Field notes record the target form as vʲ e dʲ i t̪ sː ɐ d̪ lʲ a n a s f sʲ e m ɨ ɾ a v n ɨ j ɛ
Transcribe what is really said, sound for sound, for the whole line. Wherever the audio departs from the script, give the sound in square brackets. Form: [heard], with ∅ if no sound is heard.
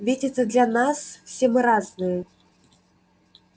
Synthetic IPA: vʲ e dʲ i t̪ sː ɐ d̪ lʲ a n a s f sʲ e m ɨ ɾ a [z] n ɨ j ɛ